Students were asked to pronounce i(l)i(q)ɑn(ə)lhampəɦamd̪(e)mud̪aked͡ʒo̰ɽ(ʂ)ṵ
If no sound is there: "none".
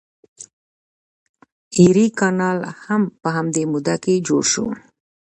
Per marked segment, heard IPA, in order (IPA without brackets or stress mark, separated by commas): ɾ, k, ɑ, e, ʃ